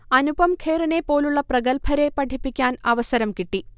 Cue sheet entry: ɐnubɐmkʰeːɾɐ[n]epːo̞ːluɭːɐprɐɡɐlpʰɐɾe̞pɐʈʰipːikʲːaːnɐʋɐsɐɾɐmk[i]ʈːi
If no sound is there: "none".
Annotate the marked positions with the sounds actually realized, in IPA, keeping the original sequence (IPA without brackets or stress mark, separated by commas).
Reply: n, i